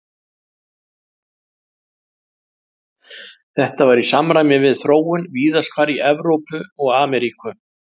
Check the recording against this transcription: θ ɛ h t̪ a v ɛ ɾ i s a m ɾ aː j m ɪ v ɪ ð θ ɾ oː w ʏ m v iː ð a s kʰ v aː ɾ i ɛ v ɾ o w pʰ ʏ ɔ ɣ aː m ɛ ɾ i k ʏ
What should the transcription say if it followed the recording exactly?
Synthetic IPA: θ ɛ h t̪ a v a ɾ i s a m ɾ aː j m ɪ v ɪ ð θ ɾ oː w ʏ n v iː ð a s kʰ v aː ɾ i ɛ v ɾ o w p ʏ ɔ ɣ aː m ɛ ɾ i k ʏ